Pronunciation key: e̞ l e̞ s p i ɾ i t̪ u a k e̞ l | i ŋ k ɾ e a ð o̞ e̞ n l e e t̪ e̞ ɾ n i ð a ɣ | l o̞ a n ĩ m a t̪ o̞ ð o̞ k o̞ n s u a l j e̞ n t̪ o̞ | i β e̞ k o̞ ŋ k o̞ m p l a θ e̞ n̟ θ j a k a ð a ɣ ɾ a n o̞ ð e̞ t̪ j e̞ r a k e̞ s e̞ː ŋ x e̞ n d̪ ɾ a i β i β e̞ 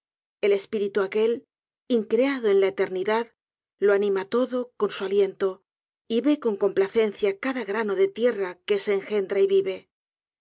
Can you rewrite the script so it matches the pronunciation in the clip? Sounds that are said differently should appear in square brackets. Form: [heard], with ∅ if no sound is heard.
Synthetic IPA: e̞ l e̞ s p i ɾ i t̪ u a k e̞ l | i ŋ k ɾ e a ð o̞ e̞ n l [a] e t̪ e̞ ɾ n i ð a [ð] | l o̞ a n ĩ m a t̪ o̞ ð o̞ k o̞ n s u a l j e̞ n t̪ o̞ | i β e̞ k o̞ ŋ k o̞ m p l a θ e̞ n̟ θ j a k a ð a ɣ ɾ a n o̞ ð e̞ t̪ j e̞ r a k e̞ s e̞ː ŋ x e̞ n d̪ ɾ a i β i β e̞